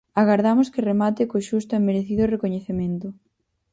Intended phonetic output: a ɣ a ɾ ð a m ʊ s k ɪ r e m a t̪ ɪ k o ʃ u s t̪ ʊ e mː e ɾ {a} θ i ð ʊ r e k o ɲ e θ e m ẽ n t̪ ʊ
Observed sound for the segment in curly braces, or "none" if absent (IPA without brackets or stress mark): e